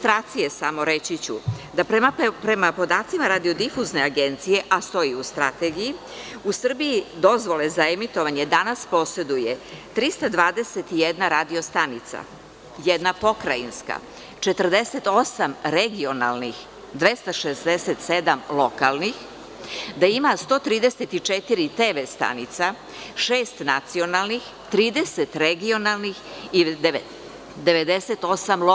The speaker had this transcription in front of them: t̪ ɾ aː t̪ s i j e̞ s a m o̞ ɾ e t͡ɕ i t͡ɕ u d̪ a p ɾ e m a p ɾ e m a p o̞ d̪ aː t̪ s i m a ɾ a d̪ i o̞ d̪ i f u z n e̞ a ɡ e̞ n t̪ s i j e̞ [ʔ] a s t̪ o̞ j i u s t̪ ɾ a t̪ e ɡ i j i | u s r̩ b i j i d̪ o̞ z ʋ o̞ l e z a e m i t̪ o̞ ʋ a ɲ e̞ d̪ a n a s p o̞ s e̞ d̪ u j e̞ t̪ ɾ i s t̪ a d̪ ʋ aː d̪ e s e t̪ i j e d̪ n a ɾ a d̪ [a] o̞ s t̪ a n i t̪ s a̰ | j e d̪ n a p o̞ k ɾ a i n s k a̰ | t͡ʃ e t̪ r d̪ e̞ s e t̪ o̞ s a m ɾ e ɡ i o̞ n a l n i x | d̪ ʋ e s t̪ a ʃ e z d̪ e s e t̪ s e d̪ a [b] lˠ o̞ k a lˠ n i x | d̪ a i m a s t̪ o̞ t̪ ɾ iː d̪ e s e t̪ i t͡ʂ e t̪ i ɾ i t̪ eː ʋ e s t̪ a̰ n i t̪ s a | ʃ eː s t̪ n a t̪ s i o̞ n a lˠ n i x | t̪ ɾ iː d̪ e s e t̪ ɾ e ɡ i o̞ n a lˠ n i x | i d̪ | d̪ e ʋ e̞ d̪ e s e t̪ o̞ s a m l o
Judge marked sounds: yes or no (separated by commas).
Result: yes, no, no